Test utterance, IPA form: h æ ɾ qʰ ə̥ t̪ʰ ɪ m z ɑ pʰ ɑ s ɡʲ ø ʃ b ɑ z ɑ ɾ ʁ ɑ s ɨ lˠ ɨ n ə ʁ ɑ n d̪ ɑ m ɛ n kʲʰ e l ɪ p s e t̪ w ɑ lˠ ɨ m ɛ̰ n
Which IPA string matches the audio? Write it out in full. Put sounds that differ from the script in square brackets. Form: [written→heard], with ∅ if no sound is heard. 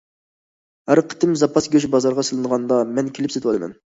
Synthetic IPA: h æ ɾ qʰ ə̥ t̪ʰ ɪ m z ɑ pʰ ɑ s ɡʲ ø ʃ b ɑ z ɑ ɾ ʁ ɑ s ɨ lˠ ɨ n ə ʁ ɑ n d̪ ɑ m ɛ n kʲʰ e l ɪ p s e t̪ w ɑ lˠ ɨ m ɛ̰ n